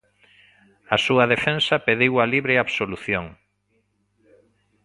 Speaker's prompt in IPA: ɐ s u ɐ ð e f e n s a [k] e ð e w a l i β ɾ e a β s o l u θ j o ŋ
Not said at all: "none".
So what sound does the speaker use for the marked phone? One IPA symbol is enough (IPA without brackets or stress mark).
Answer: p